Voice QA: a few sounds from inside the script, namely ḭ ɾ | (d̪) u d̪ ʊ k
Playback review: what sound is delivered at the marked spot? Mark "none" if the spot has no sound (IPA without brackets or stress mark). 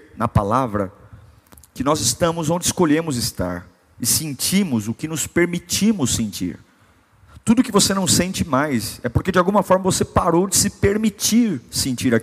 t̪